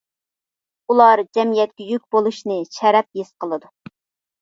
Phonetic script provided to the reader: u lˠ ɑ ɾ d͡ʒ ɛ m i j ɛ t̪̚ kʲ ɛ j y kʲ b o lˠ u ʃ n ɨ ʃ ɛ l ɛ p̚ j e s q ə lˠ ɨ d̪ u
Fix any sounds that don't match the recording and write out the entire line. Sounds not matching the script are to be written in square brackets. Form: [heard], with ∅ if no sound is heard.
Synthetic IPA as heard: u lˠ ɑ ɾ d͡ʒ ɛ m i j ɛ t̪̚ kʲ ɛ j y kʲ b o lˠ u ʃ n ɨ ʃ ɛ [ɾ] ɛ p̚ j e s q ə lˠ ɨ d̪ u